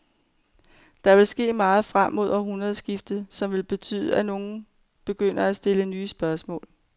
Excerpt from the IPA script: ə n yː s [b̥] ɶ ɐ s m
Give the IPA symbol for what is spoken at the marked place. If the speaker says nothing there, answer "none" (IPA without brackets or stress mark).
b̥